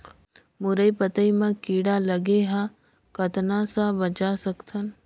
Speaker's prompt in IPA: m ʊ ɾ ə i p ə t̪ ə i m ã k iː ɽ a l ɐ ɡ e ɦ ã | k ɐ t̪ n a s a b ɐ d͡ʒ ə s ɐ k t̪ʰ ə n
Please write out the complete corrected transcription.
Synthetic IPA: m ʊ ɾ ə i p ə t̪ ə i m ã k iː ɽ a l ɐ ɡ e ɦ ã | k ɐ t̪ n a s a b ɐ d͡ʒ a s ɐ k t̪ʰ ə n